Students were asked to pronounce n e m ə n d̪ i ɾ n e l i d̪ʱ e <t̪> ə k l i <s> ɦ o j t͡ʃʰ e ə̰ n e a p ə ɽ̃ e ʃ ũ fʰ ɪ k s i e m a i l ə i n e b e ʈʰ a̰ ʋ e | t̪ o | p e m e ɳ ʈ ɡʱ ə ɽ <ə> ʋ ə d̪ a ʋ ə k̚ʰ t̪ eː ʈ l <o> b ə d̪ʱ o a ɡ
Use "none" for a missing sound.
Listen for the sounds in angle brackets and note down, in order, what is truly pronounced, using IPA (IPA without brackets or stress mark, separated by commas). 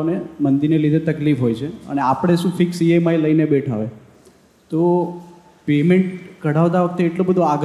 t̪, f, a, o